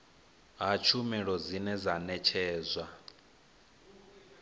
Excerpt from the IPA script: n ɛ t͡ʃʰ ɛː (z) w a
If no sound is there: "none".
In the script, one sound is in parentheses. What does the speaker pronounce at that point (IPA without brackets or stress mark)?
z